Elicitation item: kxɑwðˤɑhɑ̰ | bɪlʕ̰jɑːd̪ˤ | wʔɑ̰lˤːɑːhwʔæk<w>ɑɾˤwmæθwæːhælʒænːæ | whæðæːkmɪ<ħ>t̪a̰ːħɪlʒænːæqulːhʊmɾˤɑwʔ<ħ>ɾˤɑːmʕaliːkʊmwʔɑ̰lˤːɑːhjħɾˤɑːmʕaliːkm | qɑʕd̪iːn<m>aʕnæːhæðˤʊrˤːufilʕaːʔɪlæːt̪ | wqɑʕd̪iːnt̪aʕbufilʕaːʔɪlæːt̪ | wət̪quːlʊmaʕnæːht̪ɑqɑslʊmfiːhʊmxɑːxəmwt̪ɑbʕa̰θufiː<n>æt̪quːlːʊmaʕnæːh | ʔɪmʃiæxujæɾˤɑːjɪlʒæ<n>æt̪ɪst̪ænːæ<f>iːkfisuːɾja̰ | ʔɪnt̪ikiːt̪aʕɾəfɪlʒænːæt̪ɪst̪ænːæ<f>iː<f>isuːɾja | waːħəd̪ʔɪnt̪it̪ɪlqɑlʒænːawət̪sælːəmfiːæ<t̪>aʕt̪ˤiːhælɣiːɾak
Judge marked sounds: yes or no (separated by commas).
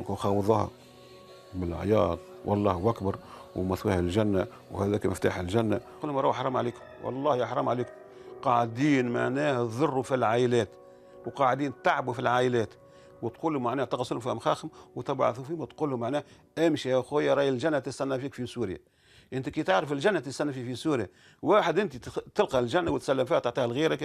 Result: no, no, yes, yes, no, no, yes, yes, yes, yes